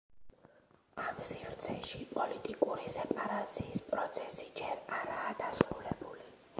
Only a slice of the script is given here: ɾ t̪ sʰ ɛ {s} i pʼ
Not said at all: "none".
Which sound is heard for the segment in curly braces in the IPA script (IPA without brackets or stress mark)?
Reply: ʃ